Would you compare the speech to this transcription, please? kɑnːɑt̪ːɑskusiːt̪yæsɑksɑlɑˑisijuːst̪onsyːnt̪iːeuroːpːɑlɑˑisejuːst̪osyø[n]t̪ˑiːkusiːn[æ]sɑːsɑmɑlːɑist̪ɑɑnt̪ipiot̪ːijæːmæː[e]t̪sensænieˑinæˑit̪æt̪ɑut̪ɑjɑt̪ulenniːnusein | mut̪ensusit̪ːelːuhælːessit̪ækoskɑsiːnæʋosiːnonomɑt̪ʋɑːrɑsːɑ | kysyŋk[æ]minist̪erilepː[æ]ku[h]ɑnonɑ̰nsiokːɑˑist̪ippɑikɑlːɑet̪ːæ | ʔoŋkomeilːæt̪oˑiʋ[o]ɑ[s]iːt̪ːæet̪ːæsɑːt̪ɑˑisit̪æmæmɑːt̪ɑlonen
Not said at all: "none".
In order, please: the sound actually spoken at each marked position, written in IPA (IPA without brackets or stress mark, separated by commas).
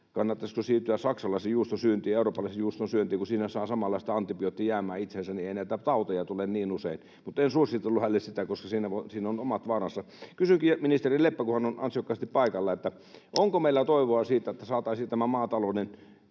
n, æ, i, i, æ, h, o, s